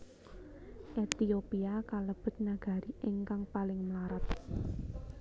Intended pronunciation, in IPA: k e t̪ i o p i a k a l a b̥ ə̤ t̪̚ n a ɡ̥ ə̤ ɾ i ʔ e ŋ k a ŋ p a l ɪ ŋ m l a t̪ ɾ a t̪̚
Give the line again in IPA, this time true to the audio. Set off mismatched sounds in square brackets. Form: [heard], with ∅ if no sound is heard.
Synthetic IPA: [ʔ] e t̪ i o p i a k a l [ə] b̥ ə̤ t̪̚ n a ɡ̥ [a̤] ɾ i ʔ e ŋ k a ŋ p a l ɪ ŋ m l a [∅] ɾ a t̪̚